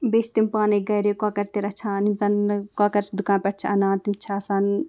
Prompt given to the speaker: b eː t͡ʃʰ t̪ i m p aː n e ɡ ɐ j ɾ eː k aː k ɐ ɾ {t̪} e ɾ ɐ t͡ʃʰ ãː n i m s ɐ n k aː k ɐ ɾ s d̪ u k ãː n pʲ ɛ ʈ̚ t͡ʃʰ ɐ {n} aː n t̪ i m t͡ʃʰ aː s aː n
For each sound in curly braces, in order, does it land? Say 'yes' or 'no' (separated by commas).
yes, yes